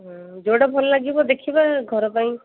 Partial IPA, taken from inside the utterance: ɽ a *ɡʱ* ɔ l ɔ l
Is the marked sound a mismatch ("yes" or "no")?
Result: yes